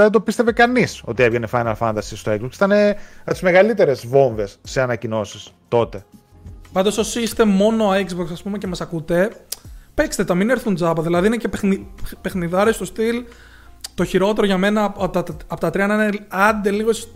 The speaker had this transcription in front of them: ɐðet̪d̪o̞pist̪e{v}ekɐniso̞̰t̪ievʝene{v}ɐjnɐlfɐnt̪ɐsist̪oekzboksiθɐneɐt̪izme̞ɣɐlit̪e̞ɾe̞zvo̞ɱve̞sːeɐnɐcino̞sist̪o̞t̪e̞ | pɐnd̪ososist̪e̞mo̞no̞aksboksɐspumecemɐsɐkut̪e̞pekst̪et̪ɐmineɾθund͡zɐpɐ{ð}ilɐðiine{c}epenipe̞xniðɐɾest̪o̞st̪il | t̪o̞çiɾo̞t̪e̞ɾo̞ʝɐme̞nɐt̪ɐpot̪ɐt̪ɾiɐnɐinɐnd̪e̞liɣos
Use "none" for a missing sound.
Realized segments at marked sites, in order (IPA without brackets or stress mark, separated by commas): v, f, ð, c